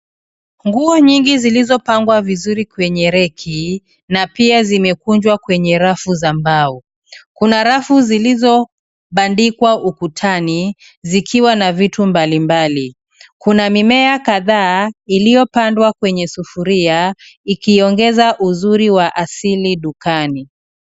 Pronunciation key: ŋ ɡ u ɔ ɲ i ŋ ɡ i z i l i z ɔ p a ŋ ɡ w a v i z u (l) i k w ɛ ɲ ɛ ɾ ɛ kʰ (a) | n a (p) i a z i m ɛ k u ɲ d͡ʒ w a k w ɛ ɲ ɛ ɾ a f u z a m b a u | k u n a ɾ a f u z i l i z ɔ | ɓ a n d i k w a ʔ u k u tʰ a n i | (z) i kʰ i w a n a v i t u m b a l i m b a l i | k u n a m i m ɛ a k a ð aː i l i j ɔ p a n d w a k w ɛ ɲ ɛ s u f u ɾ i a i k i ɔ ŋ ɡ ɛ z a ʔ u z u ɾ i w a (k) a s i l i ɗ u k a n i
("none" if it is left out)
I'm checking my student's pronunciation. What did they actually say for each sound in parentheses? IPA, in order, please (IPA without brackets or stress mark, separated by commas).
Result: ɾ, i, p, z, ʔ